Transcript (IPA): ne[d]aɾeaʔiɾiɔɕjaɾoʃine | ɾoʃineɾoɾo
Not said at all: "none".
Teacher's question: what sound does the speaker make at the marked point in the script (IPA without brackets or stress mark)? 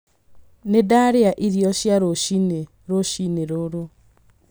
d